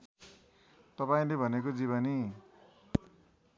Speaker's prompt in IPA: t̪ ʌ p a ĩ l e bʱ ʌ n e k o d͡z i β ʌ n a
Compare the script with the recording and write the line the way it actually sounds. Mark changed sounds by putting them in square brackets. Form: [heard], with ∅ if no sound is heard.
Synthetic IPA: t̪ ʌ p a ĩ l e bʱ ʌ n e k o d͡z i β ʌ n [i]